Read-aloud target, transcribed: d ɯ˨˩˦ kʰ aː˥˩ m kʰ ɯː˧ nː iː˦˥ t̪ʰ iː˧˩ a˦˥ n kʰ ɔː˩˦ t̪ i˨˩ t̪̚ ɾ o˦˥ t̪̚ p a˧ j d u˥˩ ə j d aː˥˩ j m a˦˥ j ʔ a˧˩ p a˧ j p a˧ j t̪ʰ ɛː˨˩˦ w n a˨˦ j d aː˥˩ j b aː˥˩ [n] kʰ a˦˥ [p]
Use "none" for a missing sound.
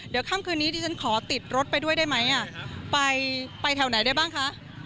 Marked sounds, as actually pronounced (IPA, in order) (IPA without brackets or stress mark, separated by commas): ŋ, ʔ